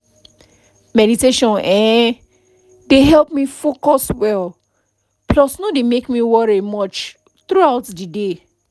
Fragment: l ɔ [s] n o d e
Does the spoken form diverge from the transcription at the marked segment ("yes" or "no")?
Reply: no